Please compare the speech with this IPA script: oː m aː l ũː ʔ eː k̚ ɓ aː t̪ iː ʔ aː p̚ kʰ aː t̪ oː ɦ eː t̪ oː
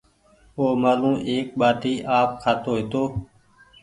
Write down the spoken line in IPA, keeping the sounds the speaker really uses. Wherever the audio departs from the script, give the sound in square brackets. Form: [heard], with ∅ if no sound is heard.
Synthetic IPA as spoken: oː m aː l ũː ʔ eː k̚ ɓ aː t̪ iː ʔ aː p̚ kʰ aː t̪ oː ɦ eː t̪ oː